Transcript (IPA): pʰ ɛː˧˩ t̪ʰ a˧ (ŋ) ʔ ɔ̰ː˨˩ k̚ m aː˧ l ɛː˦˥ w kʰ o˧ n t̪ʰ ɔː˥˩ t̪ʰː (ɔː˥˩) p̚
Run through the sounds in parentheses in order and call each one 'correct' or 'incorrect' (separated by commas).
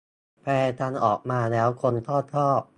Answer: incorrect, correct